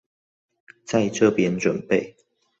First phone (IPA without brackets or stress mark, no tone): t͡s